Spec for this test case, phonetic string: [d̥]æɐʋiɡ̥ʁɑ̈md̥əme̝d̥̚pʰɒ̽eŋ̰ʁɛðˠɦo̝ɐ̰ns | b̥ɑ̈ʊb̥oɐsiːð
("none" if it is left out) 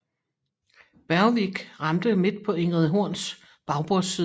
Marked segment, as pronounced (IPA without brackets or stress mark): b̥